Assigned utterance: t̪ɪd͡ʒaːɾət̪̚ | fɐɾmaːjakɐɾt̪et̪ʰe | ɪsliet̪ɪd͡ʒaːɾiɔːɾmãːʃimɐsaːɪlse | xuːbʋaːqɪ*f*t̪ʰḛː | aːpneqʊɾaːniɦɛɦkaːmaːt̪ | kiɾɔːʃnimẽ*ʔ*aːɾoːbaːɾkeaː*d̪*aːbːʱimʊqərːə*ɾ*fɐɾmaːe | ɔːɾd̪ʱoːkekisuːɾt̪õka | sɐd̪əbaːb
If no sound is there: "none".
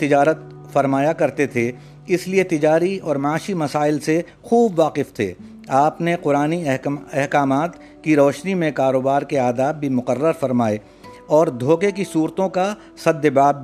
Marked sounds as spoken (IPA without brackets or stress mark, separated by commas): f, k, d̪, ɾ